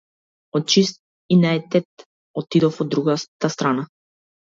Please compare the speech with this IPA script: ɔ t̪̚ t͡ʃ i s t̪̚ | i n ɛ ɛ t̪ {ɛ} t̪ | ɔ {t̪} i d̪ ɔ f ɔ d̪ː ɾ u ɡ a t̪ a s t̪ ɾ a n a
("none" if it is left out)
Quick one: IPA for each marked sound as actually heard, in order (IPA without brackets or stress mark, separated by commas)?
ɛ, t̪